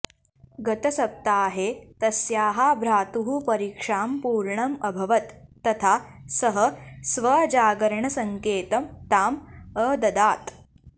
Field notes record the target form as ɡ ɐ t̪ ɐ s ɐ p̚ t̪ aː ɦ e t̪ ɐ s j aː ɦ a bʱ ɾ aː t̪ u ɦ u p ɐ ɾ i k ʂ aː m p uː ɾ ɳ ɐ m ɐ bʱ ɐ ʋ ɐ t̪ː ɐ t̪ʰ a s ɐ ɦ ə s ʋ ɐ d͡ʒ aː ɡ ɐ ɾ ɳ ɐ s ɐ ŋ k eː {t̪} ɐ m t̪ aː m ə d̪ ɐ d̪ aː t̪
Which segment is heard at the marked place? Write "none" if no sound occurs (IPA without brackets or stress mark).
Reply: t̪